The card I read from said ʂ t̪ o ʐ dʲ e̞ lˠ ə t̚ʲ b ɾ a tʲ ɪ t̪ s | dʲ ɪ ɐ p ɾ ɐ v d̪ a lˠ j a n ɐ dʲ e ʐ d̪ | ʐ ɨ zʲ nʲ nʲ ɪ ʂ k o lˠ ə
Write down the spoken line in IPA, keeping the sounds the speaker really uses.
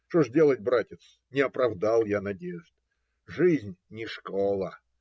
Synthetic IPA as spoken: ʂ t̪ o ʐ dʲ e̞ lˠ ə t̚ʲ b ɾ a tʲ ɪ t̪ s | nʲ ɪ ɐ p ɾ ɐ v d̪ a lˠ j a n ɐ dʲ e ʐ d̪ | ʐ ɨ zʲ nʲ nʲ ɪ ʂ k o lˠ ə